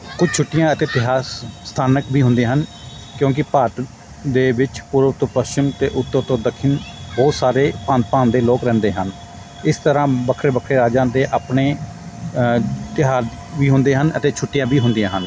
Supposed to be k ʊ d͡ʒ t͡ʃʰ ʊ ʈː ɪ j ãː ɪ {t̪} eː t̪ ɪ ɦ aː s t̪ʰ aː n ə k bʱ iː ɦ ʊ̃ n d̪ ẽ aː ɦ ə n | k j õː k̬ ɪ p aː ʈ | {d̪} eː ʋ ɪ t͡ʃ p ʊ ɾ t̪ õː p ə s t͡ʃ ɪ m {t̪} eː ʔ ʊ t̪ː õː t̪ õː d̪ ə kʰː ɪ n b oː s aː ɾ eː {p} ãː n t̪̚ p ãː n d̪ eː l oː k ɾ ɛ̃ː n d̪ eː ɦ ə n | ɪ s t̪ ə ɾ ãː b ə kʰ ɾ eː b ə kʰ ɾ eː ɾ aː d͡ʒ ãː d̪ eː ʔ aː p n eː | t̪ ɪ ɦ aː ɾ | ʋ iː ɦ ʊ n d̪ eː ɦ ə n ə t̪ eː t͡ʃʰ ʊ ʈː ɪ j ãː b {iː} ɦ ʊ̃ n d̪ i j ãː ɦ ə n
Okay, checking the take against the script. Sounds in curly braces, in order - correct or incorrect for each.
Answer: correct, correct, correct, correct, correct

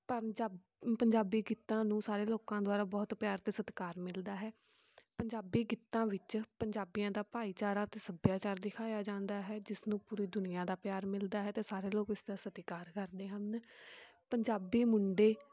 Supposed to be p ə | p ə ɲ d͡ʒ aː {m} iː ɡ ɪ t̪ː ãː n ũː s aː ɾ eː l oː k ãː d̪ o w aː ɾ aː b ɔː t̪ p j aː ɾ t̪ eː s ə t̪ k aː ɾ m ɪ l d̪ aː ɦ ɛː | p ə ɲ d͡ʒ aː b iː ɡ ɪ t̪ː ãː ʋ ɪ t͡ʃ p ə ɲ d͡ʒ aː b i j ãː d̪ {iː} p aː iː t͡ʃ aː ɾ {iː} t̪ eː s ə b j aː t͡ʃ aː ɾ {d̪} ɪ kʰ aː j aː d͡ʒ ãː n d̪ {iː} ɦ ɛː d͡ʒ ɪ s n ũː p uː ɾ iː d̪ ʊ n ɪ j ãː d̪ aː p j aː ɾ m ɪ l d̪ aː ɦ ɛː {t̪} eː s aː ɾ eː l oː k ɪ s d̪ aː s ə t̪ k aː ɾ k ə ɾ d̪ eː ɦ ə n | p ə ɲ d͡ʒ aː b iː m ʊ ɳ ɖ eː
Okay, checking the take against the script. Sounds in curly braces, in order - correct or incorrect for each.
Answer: incorrect: b, incorrect: aː, incorrect: aː, correct, incorrect: aː, correct

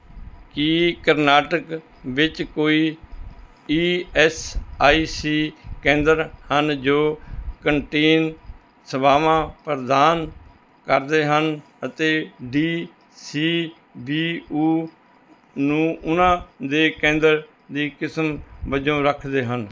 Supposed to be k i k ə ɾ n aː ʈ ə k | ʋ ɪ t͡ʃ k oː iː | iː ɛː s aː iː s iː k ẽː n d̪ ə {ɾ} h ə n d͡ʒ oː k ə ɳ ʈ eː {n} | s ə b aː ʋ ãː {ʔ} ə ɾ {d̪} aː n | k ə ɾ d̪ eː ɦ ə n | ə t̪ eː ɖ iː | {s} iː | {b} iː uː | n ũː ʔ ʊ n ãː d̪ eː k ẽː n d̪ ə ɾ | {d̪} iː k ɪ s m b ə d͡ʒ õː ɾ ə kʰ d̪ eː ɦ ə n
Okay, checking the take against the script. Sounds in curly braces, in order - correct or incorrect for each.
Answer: correct, correct, incorrect: p, correct, correct, correct, correct

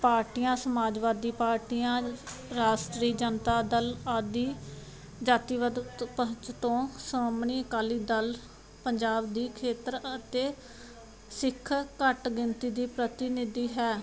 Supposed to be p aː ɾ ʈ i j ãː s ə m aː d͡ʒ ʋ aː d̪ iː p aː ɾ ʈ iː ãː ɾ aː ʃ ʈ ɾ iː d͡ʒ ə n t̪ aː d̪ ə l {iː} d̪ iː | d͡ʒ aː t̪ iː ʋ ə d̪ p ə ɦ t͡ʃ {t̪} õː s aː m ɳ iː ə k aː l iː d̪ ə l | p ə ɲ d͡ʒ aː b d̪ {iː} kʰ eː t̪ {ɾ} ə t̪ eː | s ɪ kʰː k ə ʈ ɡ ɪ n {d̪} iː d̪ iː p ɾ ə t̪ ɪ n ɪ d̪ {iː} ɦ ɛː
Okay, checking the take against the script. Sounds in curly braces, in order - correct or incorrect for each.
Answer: incorrect: aː, correct, correct, correct, incorrect: t̪, correct

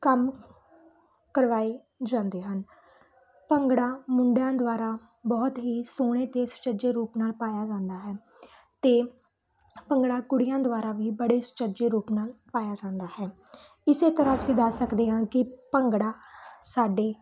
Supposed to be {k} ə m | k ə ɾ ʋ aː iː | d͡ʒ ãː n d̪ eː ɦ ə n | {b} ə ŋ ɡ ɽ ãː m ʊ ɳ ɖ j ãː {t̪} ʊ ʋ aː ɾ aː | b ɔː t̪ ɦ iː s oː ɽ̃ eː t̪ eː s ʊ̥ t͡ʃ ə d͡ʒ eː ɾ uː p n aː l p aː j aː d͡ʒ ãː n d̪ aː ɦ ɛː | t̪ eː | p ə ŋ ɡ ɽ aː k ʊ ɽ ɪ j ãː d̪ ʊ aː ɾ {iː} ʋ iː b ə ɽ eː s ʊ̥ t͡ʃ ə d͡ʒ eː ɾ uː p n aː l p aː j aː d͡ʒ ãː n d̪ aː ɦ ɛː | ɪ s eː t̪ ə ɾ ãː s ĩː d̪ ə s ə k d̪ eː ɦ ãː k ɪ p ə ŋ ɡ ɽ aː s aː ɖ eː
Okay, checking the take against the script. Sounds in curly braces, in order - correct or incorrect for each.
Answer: correct, incorrect: p, incorrect: d̪, incorrect: aː

